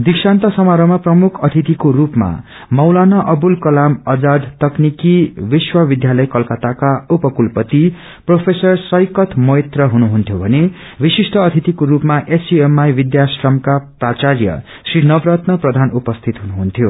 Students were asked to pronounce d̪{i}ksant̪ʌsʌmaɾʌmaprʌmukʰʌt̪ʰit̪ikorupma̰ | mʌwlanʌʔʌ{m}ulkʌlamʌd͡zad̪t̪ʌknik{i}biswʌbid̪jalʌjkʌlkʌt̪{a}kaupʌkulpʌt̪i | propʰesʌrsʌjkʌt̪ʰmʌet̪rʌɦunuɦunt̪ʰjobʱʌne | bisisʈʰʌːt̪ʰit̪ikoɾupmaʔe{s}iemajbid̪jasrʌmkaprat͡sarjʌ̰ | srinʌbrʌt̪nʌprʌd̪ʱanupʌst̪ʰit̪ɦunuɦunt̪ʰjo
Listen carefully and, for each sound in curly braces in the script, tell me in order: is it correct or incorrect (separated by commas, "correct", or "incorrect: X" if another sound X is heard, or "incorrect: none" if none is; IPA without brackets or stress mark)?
correct, incorrect: b, correct, correct, correct